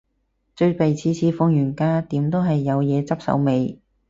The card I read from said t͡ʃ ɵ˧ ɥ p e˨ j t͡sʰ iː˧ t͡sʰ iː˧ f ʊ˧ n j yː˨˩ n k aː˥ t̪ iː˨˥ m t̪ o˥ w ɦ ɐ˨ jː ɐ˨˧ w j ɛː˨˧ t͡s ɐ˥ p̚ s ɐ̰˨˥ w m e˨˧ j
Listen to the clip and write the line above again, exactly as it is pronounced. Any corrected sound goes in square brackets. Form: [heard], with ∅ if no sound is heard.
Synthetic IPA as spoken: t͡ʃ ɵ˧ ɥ p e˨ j t͡sʰ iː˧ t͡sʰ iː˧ f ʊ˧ [ŋ] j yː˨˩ n k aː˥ t̪ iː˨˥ m t̪ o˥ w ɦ ɐ˨ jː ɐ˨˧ w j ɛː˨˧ t͡s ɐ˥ p̚ s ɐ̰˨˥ w m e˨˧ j